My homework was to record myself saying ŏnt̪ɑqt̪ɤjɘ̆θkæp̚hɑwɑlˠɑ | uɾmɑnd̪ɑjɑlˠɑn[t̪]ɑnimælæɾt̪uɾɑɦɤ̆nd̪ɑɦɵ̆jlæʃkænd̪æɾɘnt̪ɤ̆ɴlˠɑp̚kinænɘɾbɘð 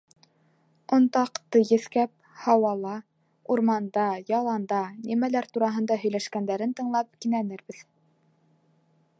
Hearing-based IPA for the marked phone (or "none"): d̪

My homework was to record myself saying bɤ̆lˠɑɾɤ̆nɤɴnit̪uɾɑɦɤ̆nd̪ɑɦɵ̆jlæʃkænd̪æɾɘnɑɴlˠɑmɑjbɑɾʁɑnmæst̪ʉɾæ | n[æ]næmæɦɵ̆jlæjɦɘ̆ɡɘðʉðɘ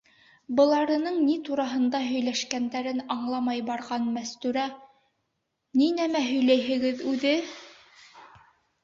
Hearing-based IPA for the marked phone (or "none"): i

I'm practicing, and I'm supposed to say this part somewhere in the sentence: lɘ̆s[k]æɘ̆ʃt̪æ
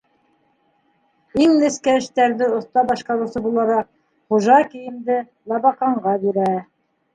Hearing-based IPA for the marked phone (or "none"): k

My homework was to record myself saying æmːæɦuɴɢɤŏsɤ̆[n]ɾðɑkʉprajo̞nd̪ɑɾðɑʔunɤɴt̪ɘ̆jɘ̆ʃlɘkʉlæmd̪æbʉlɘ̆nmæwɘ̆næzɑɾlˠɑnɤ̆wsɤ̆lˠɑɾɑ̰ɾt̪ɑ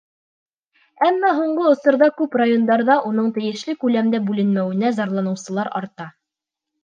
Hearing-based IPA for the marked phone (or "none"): none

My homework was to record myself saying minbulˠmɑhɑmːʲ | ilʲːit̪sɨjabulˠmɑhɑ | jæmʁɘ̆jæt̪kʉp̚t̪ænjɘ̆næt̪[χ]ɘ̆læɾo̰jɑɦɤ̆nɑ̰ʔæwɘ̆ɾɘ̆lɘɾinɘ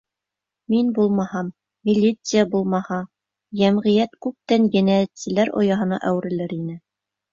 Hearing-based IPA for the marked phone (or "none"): s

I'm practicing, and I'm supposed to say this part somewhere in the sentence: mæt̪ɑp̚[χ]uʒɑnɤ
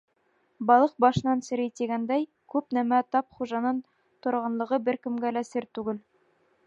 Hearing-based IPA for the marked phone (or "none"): χ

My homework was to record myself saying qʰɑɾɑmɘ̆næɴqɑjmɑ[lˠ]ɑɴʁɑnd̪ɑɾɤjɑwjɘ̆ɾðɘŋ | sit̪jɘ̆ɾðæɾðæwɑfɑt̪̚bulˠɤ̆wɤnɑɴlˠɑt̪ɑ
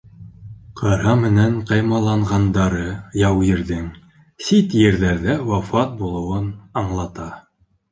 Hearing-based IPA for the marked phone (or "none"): lˠ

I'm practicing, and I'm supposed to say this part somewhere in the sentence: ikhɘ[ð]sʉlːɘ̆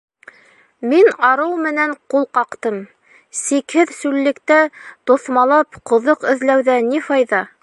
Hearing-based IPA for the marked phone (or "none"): ð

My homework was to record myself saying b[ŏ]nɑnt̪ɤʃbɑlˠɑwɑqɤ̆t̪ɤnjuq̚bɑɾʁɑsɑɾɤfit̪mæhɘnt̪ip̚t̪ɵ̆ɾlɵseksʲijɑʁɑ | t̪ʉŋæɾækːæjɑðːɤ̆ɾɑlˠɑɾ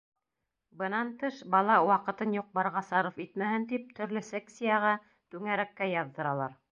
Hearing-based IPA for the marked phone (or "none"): ɤ̆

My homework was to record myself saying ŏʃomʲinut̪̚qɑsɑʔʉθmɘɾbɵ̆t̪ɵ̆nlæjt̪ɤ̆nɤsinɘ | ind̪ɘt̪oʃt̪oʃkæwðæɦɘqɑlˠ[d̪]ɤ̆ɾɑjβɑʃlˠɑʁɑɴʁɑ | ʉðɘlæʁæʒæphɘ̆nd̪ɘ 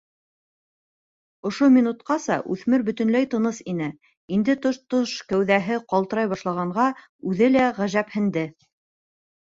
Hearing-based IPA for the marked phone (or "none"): t̪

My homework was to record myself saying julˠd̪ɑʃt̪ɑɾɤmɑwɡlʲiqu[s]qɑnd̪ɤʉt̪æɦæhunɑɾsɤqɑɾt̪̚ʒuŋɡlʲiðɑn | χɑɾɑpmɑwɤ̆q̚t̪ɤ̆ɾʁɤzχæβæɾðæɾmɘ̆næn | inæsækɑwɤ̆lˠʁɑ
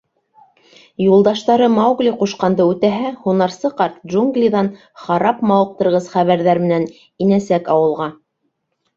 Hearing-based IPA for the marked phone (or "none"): ʃ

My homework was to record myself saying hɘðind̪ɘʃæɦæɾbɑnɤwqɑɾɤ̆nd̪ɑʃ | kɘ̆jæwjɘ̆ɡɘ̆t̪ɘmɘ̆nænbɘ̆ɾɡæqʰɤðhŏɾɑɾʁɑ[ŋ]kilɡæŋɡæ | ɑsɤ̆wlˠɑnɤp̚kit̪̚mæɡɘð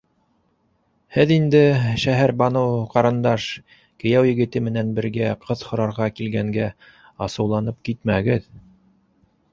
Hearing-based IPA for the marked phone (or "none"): none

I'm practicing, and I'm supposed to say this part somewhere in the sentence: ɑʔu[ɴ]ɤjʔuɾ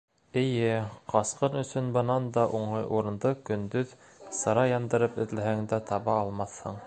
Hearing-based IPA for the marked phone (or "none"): ɴ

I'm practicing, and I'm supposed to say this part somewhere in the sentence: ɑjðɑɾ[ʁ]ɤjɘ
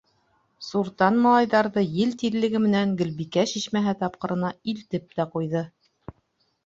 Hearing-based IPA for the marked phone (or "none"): ð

